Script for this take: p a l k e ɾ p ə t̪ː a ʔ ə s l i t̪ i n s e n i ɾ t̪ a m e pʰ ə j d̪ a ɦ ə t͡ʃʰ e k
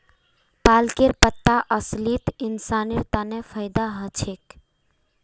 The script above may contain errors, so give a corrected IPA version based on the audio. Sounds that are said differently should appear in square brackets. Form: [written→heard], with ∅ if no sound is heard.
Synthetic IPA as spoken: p a l k e ɾ p ə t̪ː a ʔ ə s l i t̪ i n s [e→a] n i ɾ t̪ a [m→n] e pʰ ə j d̪ a ɦ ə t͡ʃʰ e k